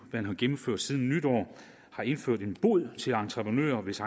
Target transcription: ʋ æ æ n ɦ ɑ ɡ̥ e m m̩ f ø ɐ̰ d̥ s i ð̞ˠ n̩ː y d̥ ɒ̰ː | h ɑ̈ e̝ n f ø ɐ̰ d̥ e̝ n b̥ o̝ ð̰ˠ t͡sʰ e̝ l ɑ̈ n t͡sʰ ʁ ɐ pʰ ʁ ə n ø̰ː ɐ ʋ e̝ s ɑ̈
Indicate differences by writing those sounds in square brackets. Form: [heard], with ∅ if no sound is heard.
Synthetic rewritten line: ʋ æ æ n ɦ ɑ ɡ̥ e m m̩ f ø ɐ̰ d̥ s i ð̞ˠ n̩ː y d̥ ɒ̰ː | h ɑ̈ e̝ n f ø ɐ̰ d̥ e̝ n b̥ o̝ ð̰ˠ t͡sʰ e̝ l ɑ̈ n t͡sʰ ʁ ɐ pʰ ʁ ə n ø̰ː ɐ ʋ e̝ s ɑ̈